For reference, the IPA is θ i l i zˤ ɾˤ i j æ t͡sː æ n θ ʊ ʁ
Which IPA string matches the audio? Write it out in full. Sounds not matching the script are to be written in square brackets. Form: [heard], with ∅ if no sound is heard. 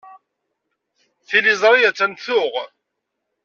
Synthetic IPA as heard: θ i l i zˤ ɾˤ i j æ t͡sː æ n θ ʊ ʁ